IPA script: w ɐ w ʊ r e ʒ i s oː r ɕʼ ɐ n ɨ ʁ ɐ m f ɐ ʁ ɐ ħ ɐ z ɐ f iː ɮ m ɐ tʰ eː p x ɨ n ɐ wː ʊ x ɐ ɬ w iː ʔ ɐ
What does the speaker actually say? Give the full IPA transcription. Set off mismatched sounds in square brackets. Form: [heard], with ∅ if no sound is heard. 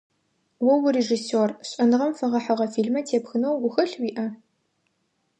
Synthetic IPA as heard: w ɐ w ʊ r e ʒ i s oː r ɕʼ ɐ n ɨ ʁ ɐ m f ɐ ʁ ɐ ħ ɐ [ʁ] ɐ f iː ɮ m ɐ tʰ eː p x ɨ n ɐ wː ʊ x ɐ ɬ w iː ʔ ɐ

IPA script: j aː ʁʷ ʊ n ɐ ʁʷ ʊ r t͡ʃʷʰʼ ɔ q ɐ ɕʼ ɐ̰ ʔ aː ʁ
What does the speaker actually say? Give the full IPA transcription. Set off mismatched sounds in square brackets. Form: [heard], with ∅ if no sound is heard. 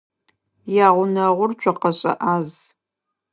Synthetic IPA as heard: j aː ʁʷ ʊ n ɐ ʁʷ ʊ r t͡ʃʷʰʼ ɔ q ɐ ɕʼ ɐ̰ ʔ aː [z]

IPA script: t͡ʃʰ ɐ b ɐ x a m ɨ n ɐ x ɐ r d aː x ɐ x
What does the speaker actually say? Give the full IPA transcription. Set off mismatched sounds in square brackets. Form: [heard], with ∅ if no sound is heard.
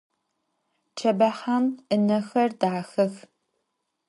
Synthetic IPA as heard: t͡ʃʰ ɐ b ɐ [ħ] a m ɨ n ɐ x ɐ r d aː x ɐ x

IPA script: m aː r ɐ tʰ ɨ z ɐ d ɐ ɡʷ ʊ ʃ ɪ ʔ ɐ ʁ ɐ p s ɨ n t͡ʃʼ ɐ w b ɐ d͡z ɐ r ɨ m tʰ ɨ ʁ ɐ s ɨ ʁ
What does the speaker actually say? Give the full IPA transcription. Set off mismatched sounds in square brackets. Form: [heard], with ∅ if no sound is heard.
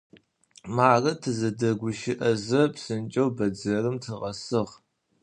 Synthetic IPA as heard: m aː r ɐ tʰ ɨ z ɐ d ɐ ɡʷ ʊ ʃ ɪ ʔ ɐ [z] ɐ p s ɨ n t͡ʃʼ ɐ w b ɐ d͡z ɐ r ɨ m tʰ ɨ ʁ ɐ s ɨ ʁ

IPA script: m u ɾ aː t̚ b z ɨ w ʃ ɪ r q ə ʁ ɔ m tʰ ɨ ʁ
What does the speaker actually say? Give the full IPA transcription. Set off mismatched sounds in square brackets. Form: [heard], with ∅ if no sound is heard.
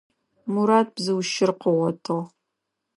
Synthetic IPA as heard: m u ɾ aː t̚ b z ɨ w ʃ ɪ r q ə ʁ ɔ [∅] tʰ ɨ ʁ

